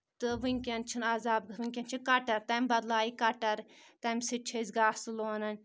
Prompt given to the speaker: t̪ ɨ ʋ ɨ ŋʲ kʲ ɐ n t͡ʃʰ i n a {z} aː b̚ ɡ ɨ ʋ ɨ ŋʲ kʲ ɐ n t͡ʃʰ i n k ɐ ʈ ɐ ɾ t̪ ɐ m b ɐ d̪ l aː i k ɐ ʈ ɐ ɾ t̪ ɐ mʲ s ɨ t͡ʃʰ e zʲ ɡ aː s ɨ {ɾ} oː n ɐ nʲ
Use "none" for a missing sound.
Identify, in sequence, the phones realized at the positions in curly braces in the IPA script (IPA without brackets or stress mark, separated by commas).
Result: z, l